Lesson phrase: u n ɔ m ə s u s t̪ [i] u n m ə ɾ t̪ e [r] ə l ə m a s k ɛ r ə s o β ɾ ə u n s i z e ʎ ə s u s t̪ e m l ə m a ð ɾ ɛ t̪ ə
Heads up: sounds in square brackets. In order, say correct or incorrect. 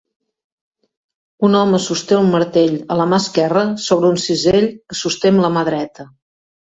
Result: incorrect: e, incorrect: ʎ

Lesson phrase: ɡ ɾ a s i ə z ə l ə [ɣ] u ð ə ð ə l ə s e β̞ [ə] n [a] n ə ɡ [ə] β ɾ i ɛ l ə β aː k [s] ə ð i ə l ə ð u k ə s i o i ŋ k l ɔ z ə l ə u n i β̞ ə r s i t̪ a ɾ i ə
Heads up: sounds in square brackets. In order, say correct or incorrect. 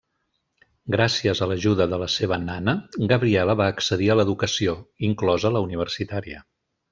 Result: incorrect: ʒ, correct, correct, correct, correct

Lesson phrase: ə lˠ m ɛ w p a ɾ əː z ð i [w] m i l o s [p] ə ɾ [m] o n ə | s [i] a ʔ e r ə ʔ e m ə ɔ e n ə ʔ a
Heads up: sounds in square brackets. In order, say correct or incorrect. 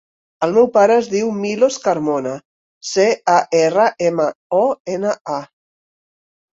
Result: correct, incorrect: k, correct, incorrect: e

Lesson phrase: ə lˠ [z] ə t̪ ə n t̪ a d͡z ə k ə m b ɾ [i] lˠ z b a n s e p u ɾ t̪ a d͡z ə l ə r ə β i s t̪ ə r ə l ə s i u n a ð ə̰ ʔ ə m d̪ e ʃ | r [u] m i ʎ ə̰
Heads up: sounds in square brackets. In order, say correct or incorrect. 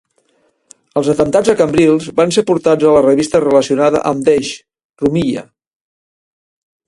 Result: correct, correct, correct

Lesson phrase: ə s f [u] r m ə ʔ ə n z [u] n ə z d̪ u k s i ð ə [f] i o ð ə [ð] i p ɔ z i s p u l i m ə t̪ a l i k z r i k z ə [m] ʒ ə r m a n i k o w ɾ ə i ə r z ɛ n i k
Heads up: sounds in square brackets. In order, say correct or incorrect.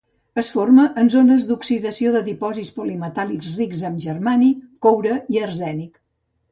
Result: incorrect: o, incorrect: o, incorrect: s, correct, correct

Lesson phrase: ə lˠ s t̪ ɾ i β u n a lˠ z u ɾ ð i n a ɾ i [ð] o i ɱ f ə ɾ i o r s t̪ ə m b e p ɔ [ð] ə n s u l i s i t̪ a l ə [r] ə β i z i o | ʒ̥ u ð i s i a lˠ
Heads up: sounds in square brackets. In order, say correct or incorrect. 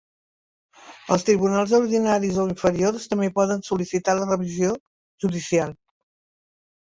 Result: incorrect: z, correct, correct

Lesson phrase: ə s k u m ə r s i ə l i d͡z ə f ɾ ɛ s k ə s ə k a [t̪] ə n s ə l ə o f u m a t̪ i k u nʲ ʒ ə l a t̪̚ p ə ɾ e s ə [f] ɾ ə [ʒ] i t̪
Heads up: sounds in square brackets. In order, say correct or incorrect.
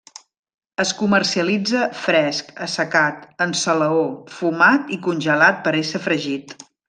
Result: correct, correct, correct

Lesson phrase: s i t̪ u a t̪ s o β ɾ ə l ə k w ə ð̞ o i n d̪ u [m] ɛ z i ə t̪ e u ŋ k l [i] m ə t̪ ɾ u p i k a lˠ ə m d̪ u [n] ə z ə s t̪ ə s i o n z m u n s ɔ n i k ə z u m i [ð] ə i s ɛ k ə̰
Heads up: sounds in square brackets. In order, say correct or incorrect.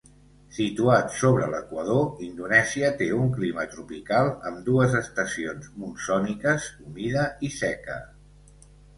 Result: incorrect: n, correct, incorrect: none, correct

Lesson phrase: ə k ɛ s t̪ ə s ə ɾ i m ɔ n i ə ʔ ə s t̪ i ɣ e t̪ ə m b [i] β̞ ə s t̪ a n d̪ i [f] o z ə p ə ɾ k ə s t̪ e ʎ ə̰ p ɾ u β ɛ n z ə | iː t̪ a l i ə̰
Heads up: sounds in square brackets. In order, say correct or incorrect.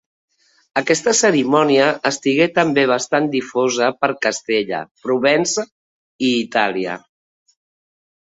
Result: incorrect: e, correct

